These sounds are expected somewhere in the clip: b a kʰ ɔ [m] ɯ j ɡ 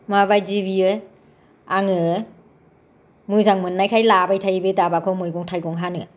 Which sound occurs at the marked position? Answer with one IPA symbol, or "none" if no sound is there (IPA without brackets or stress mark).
m